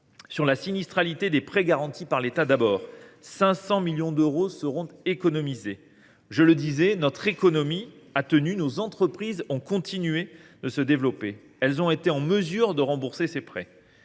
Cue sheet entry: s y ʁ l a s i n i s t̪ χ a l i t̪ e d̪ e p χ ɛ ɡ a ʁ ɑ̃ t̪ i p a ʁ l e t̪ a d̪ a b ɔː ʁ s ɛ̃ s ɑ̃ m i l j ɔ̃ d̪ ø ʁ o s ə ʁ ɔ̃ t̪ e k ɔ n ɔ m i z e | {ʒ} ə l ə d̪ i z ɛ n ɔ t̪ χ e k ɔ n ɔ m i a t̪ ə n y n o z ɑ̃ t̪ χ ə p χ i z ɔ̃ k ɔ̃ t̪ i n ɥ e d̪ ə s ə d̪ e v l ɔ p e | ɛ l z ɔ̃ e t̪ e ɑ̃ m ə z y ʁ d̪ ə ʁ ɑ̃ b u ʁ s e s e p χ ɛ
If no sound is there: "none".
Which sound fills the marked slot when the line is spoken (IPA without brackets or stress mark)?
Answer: ʒ